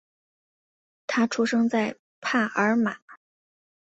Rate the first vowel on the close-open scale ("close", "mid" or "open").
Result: open